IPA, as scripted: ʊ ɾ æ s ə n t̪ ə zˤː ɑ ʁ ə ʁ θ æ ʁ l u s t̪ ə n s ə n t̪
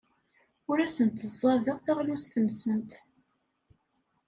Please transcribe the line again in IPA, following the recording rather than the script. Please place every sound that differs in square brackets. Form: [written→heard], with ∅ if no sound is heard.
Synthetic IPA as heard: ʊ ɾ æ s ə n t̪ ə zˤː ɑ [ʁ→ð] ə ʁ θ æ ʁ l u s t̪ ə n s ə n t̪